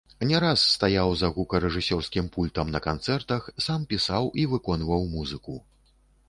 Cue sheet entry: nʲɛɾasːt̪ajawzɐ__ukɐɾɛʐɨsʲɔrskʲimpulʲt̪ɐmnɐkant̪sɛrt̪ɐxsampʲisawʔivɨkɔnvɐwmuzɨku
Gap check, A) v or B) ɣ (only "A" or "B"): B